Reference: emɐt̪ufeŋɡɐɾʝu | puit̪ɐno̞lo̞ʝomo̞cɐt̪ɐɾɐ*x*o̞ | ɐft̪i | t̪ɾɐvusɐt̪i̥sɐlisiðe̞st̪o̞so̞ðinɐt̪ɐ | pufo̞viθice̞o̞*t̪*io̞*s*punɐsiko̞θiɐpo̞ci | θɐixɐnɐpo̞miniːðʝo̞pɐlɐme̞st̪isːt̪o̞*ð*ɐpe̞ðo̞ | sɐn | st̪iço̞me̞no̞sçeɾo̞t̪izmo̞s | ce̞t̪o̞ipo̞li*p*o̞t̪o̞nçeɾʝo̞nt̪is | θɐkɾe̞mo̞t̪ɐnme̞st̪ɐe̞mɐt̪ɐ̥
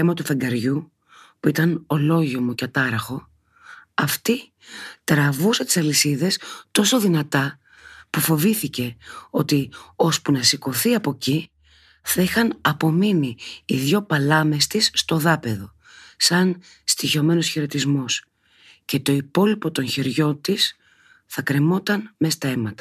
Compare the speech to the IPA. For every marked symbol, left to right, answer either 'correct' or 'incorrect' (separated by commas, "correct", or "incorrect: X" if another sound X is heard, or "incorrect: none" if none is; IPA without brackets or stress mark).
correct, correct, correct, correct, correct